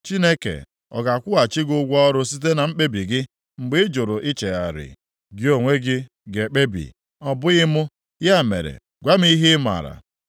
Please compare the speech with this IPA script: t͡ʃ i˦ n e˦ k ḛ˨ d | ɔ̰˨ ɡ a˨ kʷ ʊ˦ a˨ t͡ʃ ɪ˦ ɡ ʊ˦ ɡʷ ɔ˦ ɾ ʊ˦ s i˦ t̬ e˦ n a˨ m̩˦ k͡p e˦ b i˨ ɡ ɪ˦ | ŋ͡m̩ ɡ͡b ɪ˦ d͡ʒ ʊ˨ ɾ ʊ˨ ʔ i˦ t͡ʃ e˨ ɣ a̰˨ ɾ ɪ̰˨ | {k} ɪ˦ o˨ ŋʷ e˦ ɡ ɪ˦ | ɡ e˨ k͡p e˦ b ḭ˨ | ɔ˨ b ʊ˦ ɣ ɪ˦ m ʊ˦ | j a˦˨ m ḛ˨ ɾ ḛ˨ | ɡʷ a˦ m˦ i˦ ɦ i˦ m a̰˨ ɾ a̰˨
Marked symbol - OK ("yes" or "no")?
no